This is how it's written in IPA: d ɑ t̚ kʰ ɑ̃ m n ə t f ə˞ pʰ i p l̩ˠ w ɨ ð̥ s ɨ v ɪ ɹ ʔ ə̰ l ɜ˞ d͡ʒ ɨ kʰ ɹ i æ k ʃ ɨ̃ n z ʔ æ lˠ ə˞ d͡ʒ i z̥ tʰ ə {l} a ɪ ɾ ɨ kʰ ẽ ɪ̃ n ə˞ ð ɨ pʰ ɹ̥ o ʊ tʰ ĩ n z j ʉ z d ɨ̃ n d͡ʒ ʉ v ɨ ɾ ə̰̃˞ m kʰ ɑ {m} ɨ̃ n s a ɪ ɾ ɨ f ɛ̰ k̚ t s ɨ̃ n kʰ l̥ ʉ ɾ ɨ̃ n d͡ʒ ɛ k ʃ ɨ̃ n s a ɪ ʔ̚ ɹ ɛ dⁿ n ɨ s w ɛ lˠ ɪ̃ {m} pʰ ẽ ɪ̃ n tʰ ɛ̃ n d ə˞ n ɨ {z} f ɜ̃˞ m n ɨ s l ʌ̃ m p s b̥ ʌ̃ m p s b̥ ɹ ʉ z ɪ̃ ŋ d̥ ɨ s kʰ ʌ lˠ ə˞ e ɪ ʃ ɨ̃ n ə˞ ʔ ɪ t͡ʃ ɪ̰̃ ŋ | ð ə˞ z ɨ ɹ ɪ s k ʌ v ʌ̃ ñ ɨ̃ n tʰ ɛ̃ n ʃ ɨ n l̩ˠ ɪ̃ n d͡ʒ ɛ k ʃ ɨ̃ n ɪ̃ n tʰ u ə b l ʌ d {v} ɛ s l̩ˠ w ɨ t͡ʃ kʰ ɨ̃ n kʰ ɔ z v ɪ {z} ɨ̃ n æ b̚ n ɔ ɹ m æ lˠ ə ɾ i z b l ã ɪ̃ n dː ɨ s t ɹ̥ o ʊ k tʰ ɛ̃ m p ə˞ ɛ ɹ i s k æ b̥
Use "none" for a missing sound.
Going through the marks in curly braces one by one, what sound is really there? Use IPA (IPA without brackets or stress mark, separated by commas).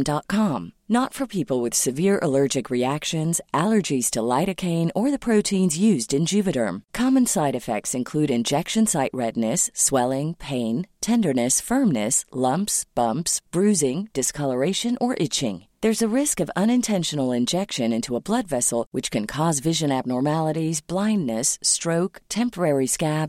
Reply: l, m, ŋ, s, v, ʒ